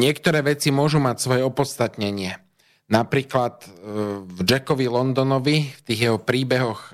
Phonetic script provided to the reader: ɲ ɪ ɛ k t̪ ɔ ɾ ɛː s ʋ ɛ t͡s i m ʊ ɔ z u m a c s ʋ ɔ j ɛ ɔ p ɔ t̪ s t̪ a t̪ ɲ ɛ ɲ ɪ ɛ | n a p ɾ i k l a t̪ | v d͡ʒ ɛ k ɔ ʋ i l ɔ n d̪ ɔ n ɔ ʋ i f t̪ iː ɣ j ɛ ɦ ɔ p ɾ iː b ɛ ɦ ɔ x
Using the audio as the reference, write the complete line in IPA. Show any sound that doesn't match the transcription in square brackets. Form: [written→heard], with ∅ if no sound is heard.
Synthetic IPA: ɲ ɪ ɛ k t̪ ɔ ɾ ɛː [s→∅] ʋ ɛ t͡s i m ʊ ɔ [z→ʒ] u m a c s ʋ ɔ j ɛ ɔ p ɔ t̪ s t̪ a t̪ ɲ ɛ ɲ ɪ ɛ | n a p ɾ [i→iː] k l a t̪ | v d͡ʒ ɛ k ɔ ʋ i l ɔ n d̪ ɔ n ɔ ʋ i f t̪ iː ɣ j ɛ ɦ ɔ p ɾ iː b ɛ ɦ ɔ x